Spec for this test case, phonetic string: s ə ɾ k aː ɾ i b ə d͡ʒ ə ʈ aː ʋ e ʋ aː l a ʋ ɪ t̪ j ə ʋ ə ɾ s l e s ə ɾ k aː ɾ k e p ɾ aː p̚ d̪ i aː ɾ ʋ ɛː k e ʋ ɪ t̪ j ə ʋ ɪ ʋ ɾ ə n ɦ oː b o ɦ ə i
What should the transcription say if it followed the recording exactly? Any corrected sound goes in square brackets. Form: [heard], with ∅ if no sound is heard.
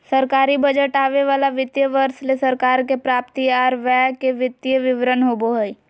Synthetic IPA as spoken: s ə ɾ k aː ɾ i b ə d͡ʒ ə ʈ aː ʋ e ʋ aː l a ʋ ɪ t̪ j ə ʋ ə ɾ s l e s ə ɾ k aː ɾ k e p ɾ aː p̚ [t̪] i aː ɾ ʋ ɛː k e ʋ ɪ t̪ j ə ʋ ɪ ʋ ɾ ə n ɦ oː b o ɦ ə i